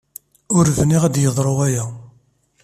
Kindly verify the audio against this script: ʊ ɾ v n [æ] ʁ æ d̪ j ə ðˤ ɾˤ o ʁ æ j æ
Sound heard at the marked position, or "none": i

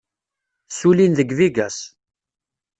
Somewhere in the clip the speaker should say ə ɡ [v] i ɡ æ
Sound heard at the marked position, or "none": v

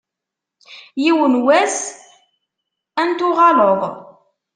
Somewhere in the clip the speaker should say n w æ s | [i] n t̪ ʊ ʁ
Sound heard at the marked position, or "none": æ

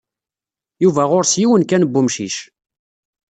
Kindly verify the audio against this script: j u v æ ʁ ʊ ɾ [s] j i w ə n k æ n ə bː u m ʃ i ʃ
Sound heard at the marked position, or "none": s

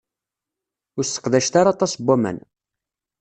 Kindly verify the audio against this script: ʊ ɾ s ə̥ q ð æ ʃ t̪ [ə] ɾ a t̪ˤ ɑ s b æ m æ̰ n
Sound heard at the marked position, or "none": a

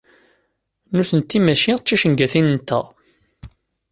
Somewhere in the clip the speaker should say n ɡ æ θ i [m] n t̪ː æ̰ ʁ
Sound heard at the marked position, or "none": n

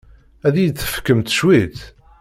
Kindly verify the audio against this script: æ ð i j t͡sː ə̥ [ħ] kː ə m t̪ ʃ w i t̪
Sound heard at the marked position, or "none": f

